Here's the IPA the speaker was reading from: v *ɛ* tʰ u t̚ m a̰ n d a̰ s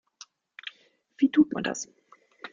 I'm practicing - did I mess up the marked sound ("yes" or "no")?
yes